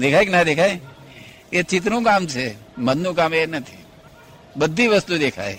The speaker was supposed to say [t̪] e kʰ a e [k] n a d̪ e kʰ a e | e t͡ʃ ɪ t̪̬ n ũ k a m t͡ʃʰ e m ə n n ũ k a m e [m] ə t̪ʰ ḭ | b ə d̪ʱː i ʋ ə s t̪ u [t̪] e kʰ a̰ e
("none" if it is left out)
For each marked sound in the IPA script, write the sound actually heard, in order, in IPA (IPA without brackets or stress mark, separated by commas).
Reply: d̪, k, n, d̪